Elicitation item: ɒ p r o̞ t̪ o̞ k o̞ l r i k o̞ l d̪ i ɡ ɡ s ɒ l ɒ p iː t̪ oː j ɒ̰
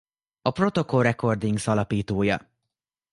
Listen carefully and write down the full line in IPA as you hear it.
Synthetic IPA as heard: ɒ p r o̞ t̪ o̞ k o̞ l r ɛ k o̞ r d̪ i ŋ ɡ s ɒ l ɒ p iː t̪ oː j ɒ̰